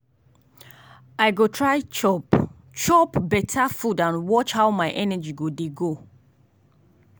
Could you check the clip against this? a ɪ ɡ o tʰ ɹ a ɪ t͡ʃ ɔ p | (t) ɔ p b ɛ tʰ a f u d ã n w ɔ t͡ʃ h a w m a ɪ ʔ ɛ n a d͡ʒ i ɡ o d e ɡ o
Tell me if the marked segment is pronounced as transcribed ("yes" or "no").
no